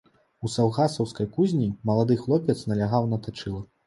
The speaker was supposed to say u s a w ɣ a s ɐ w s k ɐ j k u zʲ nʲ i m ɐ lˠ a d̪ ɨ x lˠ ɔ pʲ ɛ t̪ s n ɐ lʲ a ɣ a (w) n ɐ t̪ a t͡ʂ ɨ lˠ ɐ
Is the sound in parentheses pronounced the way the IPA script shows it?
yes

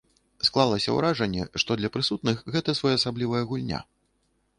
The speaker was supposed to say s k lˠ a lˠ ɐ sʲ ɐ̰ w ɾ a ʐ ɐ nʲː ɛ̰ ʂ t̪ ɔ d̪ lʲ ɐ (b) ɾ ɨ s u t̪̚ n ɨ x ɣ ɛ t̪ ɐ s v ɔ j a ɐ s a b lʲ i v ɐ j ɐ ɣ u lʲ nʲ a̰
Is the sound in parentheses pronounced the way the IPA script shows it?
no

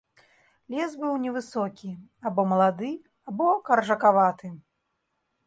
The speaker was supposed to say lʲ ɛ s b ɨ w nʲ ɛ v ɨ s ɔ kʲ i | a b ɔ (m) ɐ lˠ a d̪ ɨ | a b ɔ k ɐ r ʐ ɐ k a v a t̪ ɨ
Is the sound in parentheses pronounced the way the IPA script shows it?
yes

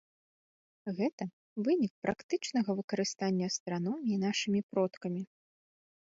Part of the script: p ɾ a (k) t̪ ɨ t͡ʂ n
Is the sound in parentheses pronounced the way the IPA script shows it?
yes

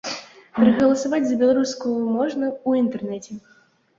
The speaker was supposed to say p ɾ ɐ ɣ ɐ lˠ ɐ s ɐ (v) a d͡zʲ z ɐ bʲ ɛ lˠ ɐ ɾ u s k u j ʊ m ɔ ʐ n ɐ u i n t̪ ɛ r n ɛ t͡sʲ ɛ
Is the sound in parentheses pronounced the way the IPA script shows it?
yes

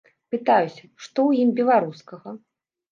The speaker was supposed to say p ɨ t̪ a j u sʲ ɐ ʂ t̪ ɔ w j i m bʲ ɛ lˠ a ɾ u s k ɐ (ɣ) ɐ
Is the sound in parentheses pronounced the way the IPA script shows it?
yes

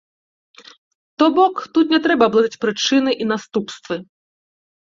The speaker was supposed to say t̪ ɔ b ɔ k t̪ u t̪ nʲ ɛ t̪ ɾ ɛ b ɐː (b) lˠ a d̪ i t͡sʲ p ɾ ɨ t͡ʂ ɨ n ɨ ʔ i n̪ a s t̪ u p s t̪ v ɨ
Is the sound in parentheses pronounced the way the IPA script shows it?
yes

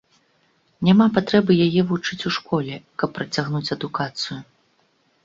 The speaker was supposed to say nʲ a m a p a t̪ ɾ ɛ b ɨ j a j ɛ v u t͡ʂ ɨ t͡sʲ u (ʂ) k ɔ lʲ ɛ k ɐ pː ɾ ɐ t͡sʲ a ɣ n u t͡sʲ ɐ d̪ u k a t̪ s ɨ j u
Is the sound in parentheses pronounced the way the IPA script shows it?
yes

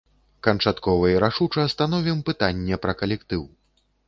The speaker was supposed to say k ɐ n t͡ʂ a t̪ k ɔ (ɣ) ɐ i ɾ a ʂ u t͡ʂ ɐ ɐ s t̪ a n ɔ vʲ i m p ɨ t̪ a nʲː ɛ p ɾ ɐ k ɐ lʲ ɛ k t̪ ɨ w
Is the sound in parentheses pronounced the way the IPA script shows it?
no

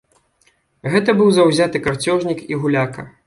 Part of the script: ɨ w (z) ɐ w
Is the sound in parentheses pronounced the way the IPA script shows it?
yes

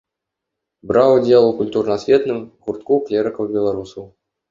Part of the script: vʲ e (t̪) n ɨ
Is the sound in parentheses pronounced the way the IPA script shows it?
yes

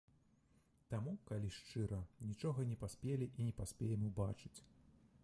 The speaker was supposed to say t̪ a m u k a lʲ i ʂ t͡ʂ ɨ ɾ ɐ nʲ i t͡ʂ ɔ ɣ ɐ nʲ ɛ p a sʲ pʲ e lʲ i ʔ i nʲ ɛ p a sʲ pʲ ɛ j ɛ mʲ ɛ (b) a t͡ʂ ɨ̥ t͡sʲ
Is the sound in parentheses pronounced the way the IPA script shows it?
yes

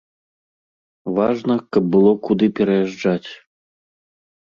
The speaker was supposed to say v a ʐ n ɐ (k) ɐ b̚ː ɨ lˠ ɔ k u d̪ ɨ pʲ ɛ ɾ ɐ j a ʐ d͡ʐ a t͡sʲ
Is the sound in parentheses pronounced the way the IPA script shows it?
yes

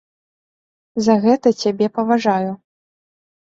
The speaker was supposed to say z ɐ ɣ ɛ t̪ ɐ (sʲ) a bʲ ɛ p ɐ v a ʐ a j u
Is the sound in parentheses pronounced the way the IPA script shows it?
no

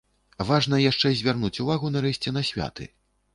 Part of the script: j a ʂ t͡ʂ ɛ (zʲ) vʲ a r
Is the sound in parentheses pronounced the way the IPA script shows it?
yes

